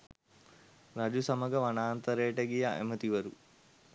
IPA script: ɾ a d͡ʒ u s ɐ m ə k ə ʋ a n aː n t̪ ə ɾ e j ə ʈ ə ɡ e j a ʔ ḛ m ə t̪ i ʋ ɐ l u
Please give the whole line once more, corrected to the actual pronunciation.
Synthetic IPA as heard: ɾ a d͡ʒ u s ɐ m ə ɡ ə ʋ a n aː n t̪ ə ɾ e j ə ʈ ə ɡ i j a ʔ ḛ m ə t̪ i ʋ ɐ ɾ u